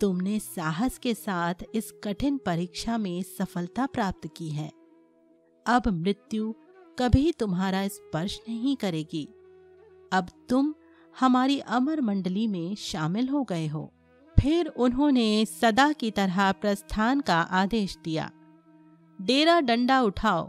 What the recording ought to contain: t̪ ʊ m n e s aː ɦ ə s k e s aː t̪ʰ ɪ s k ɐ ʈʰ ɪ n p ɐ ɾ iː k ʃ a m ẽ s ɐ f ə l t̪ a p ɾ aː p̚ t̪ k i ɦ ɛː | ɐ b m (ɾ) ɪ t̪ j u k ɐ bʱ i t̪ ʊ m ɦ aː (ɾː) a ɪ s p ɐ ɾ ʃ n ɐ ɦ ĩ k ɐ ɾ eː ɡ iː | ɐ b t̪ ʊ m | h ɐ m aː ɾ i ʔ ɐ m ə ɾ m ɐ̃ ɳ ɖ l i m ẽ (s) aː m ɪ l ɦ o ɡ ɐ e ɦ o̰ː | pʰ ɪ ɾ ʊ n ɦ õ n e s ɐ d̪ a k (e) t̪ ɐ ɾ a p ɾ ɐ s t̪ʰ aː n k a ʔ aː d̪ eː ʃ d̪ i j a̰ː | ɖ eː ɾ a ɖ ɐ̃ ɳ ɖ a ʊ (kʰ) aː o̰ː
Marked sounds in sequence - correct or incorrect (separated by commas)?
correct, incorrect, incorrect, incorrect, incorrect